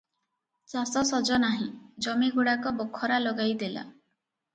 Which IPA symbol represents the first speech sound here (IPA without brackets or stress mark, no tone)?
t͡ʃ